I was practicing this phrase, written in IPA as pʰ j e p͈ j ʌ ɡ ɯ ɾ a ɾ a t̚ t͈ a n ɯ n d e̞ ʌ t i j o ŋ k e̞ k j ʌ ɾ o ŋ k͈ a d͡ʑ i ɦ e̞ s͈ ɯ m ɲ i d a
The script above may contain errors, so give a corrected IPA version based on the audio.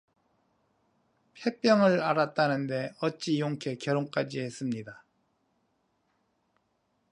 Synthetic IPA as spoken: pʰ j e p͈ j ʌ ŋ ɯ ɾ a ɾ a t̚ t͈ a n ɯ n d e̞ ʌ t͡ɕ͈ i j o ŋ kʰ e̞ k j ʌ ɾ o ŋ k͈ a d͡ʑ i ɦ e̞ s͈ ɯ m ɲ i d a

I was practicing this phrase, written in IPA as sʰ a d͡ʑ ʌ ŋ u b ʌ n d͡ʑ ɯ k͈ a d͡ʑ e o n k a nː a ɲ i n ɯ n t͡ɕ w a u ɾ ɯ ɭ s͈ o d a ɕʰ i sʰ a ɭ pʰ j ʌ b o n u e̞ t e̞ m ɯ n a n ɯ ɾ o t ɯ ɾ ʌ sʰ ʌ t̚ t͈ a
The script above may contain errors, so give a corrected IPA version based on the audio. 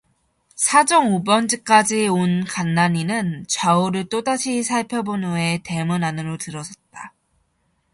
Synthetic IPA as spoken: sʰ a d͡ʑ ʌ ŋ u b ʌ n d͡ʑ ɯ k͈ a d͡ʑ i o n k a nː a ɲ i n ɯ n t͡ɕ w a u ɾ ɯ ɭ t͈ o d a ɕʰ i sʰ a ɭ pʰ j ʌ b o n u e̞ t e̞ m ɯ n a n ɯ ɾ o t ɯ ɾ ʌ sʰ ʌ t̚ t͈ a

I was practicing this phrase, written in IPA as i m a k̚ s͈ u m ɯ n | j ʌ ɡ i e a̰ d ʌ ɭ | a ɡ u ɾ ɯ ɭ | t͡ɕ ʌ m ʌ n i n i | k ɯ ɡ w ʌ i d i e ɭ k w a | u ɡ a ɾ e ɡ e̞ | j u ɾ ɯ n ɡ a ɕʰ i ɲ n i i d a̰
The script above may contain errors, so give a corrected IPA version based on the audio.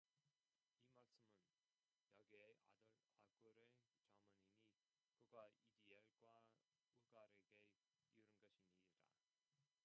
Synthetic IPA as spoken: i m a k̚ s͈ ɯ m ɯ n | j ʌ ɡ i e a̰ d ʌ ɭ | a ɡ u ɾ ɯ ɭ | t͡ɕ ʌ m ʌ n i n i | k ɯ ɡ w a i d i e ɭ ɡ w a | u ɡ a ɾ e ɡ e̞ | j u ɾ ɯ n ɡ ʌ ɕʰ i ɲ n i i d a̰

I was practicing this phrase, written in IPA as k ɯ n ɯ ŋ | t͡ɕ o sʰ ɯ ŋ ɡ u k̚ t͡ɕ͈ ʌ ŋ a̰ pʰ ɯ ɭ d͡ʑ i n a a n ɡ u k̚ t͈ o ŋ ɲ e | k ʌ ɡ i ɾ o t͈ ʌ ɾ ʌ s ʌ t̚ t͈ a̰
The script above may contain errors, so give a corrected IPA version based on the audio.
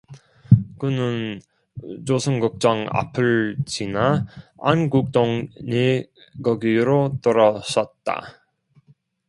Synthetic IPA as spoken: k ɯ n ɯ n | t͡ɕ o sʰ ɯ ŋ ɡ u k̚ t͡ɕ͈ ʌ ŋ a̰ pʰ ɯ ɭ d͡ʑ i n a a n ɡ u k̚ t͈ o ŋ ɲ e | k ʌ ɡ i ɾ o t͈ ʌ ɾ ʌ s ʌ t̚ t͈ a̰

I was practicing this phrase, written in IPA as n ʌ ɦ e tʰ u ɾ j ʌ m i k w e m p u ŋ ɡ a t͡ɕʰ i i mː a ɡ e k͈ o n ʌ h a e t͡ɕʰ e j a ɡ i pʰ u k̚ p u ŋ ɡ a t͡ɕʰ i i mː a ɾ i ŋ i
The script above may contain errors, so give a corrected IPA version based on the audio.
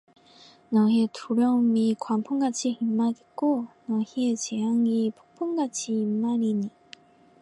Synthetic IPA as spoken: n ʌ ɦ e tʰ u ɾ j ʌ m i k w a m pʰ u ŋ ɡ a t͡ɕʰ i i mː a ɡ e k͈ o n ʌ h i e t͡ɕ e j a ŋ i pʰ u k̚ pʰ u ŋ ɡ a t͡ɕʰ i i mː a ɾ i ɲ i

